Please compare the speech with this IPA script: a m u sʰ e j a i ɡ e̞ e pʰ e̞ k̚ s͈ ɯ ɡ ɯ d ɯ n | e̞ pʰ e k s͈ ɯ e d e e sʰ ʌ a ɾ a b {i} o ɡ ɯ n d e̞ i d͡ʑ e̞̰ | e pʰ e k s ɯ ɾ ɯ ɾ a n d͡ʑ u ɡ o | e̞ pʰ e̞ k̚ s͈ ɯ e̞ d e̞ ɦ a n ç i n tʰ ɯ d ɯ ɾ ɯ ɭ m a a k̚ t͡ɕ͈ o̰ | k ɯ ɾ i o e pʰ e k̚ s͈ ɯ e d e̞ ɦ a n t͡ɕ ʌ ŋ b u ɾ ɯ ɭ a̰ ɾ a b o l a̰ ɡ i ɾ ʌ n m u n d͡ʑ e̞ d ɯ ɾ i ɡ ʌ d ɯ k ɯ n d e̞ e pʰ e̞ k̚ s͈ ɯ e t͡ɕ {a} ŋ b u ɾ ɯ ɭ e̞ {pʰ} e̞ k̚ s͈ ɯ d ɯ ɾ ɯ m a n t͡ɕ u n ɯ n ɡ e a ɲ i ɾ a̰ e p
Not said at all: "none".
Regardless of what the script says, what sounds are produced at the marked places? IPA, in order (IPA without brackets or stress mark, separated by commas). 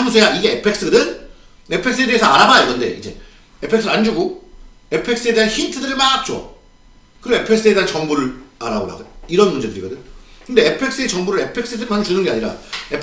a, ʌ, pʰ